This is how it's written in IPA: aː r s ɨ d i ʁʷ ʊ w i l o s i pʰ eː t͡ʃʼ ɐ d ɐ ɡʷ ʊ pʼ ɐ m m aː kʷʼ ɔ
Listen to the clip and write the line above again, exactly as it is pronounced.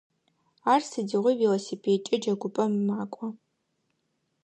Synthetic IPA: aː r s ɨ d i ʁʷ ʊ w i l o s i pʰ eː t͡ʃʼ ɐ d͡ʒ ɐ ɡʷ ʊ pʼ ɐ m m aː kʷʼ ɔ